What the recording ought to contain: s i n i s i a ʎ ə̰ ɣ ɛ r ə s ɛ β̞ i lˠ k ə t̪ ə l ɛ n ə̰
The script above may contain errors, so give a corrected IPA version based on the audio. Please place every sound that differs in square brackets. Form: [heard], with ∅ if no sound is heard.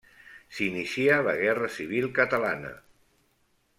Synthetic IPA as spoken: s i n i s i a [l] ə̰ ɣ ɛ r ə s [i] β̞ i lˠ k ə t̪ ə l [a] n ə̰